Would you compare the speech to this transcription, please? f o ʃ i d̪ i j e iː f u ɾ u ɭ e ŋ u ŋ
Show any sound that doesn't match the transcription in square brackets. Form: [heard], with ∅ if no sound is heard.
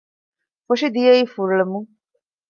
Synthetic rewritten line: f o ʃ i d̪ i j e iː f u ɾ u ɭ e [m] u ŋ